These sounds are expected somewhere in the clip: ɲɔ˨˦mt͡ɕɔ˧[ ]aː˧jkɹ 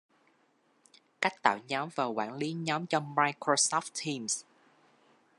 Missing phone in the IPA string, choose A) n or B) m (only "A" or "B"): B